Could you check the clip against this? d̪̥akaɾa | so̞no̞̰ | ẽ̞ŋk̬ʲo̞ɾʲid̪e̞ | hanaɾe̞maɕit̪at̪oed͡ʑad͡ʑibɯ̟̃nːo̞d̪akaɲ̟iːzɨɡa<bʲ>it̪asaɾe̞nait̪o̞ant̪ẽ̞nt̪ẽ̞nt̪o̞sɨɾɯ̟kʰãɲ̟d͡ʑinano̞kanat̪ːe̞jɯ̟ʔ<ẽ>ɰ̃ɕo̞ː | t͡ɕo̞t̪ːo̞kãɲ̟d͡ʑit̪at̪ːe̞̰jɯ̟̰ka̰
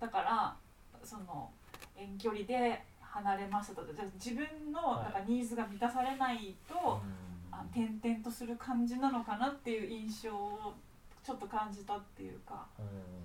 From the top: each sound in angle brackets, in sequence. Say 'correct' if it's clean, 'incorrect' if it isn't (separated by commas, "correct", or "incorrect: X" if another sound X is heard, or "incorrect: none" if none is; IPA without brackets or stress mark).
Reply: incorrect: mʲ, incorrect: ĩ